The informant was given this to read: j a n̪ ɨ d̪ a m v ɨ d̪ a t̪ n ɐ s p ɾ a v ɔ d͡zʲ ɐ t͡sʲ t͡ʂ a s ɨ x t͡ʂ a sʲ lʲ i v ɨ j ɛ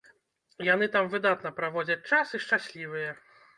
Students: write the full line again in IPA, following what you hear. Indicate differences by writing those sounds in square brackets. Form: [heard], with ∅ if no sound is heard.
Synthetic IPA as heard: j a n̪ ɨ [t̪] a m v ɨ d̪ a t̪ n ɐ [∅] p ɾ a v ɔ d͡zʲ ɐ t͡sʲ t͡ʂ a s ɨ [ʂ] t͡ʂ a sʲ lʲ i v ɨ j ɛ